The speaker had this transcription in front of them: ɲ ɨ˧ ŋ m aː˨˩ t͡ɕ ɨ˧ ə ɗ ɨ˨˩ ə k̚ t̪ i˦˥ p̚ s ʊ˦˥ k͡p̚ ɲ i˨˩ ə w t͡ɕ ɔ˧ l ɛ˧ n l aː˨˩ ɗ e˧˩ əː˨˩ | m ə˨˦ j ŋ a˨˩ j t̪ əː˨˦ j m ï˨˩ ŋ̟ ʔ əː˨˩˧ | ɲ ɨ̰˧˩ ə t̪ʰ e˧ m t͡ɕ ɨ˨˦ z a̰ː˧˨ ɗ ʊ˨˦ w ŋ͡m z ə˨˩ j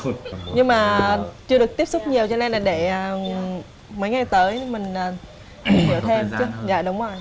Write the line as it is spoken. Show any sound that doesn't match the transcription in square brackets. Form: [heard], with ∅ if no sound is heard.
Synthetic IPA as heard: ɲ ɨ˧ ŋ m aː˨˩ t͡ɕ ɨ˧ ə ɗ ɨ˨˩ ə k̚ t̪ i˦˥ p̚ s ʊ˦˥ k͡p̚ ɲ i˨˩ ə w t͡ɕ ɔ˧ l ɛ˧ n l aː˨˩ ɗ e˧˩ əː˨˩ | m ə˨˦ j ŋ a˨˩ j t̪ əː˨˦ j m ï˨˩ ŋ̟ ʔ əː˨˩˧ | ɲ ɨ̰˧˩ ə t̪ʰ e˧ m t͡ɕ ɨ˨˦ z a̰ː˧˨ ɗ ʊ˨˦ w ŋ͡m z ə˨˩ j

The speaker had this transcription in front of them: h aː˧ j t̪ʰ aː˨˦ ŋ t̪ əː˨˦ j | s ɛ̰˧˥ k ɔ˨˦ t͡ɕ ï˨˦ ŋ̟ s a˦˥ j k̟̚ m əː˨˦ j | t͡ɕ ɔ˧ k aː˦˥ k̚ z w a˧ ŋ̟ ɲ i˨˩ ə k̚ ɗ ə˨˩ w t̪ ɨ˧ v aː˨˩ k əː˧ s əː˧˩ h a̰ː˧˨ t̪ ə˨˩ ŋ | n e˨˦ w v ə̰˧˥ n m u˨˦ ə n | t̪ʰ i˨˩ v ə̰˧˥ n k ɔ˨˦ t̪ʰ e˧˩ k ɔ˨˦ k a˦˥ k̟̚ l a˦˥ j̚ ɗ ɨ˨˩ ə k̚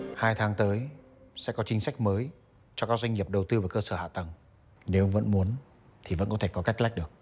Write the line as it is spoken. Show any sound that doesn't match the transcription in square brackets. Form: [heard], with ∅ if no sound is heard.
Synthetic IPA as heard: h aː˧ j t̪ʰ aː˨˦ ŋ t̪ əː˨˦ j | s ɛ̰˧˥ k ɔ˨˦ t͡ɕ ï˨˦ ŋ̟ s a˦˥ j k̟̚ m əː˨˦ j | t͡ɕ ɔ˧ k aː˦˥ k̚ z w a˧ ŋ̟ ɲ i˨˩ ə [p̚] ɗ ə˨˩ w t̪ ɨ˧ v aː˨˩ k əː˧ s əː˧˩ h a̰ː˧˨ t̪ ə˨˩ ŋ | n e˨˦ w v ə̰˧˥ n m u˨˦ ə n | t̪ʰ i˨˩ v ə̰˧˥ n k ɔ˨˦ t̪ʰ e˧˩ k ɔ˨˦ k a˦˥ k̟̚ l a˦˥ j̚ ɗ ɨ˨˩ ə k̚

